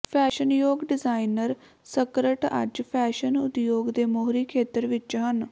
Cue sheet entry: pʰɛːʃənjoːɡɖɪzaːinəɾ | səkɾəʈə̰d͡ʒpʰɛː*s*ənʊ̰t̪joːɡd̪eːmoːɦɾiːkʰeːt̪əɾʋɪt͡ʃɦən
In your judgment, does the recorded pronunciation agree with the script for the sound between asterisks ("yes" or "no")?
no